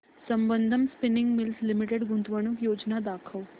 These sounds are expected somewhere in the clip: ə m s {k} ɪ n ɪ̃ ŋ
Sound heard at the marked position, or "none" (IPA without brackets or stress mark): p